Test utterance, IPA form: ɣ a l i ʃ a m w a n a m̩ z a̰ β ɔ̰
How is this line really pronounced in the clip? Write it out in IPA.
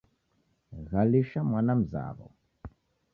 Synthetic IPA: ɣ a l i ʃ a m w a n a m̩ z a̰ β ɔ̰

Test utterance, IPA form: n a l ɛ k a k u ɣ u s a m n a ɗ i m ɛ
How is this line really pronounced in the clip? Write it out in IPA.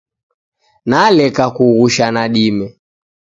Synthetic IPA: n a l ɛ k a k u ɣ u ʃ a n a ɗ i m ɛ

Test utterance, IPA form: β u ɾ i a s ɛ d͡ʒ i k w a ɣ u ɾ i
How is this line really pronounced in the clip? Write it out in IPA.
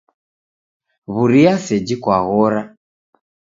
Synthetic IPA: β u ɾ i a s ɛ d͡ʒ i k w a ɣ ɔ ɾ a

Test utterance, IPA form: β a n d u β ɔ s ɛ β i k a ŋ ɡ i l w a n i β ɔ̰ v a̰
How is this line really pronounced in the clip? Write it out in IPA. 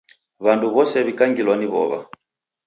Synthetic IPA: β a n d u β ɔ s ɛ β i k a ŋ ɡ i l w a n i β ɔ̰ β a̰

